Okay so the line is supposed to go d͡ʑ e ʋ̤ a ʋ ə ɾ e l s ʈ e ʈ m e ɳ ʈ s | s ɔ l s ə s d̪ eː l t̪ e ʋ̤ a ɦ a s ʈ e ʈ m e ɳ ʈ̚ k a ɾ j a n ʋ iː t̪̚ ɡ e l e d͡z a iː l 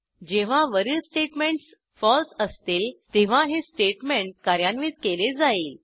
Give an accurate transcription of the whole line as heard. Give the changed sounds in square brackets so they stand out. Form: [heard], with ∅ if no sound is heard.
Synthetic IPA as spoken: d͡ʑ e ʋ̤ a ʋ ə ɾ [i] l s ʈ e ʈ m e ɳ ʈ s | [f] ɔ l s ə s [t̪] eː l t̪ e ʋ̤ a ɦ [e] s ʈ e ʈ m e ɳ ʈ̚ k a ɾ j a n ʋ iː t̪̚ [k] e l e d͡z a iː l